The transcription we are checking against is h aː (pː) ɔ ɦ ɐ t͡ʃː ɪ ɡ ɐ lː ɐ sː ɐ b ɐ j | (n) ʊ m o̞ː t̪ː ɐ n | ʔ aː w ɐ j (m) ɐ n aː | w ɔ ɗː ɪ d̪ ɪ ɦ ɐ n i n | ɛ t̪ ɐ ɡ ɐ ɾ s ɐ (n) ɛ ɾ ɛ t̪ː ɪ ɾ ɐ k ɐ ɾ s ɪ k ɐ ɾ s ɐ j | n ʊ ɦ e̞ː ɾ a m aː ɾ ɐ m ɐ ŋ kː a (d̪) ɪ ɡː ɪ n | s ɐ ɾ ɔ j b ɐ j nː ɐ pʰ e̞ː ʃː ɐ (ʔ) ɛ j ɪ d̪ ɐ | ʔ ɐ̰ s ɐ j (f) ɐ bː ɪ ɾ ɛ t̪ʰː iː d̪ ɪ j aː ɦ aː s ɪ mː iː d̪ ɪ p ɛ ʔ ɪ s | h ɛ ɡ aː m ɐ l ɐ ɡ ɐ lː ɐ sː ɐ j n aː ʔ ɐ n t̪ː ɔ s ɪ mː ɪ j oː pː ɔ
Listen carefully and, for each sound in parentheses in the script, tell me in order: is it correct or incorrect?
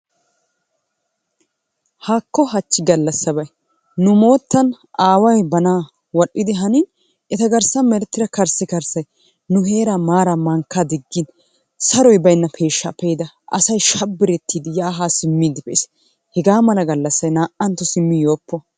incorrect: kː, correct, incorrect: b, incorrect: m, correct, incorrect: p, incorrect: ʃ

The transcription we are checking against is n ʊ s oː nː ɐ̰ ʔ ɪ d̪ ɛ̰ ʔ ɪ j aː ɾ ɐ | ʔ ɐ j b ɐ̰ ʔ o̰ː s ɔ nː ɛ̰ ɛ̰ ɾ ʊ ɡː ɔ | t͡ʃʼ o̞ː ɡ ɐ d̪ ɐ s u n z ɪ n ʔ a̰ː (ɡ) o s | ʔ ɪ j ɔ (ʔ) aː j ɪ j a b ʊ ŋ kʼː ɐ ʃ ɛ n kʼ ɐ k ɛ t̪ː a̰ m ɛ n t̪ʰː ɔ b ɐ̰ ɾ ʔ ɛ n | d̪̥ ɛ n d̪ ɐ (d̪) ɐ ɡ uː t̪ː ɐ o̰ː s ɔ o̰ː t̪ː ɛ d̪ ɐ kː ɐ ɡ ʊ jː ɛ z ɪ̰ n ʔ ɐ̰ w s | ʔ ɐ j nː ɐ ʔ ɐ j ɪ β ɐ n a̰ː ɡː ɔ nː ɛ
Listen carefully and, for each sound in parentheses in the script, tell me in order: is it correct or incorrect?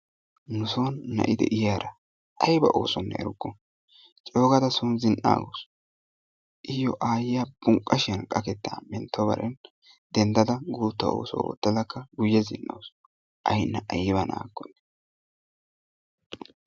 correct, correct, correct

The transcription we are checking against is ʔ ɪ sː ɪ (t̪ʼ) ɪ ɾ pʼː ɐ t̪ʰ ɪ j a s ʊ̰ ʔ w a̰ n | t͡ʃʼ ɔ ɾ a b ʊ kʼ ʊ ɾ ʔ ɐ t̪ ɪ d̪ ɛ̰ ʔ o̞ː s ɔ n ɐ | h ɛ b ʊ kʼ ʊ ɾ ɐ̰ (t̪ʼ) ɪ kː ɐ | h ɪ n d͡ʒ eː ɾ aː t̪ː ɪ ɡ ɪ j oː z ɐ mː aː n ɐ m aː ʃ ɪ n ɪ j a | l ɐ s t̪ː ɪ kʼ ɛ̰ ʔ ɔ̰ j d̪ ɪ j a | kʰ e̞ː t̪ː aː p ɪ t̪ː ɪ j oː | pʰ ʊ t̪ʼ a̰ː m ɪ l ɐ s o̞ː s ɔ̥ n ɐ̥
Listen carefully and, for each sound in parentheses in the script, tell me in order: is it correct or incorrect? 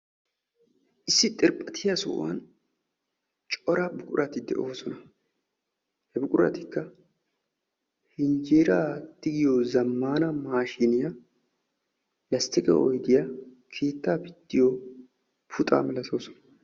correct, incorrect: t̪

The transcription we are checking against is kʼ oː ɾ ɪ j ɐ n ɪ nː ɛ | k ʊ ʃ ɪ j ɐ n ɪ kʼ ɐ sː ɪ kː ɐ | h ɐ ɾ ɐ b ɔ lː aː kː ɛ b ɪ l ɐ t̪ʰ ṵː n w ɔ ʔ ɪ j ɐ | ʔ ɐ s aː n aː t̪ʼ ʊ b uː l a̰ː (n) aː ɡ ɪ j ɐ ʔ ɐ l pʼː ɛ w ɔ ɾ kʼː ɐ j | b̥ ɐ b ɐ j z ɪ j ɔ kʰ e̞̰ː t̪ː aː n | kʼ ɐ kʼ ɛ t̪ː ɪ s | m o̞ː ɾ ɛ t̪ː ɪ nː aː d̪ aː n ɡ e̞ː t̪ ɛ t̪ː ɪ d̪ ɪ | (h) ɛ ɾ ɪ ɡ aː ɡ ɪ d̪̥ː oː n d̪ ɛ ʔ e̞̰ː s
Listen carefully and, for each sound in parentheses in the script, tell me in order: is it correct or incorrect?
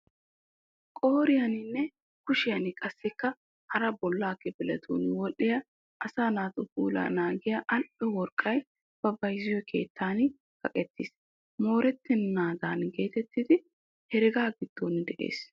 correct, correct

